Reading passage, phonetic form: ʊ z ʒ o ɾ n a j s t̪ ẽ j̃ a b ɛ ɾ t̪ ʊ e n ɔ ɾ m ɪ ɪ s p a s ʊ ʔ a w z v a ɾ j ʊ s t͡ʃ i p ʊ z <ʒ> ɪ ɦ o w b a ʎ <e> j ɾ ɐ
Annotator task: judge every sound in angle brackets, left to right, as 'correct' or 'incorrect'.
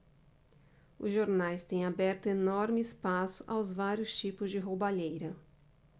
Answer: incorrect, correct

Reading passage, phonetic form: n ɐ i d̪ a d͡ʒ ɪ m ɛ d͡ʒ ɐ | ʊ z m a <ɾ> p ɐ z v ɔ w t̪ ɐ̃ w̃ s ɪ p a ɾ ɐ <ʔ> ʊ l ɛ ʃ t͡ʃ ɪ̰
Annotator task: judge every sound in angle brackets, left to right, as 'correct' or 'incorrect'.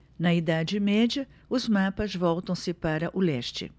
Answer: incorrect, correct

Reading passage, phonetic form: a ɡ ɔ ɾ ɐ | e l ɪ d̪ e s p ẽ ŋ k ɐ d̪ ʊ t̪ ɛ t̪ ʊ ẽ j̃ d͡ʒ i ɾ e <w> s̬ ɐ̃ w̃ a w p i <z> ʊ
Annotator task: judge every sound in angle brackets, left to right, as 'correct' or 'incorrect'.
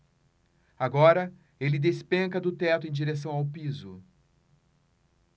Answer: incorrect, correct

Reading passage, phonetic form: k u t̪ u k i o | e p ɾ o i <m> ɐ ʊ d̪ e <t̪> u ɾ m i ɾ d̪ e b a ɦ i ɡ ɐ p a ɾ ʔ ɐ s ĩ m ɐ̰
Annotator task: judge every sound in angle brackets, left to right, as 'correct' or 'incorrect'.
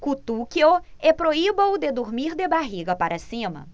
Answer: incorrect, incorrect

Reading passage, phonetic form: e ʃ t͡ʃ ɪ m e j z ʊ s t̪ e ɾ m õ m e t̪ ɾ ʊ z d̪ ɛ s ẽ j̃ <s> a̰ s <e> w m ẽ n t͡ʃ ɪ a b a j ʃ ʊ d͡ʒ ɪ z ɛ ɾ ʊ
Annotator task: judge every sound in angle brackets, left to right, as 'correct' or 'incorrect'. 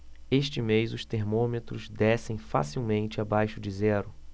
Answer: incorrect, incorrect

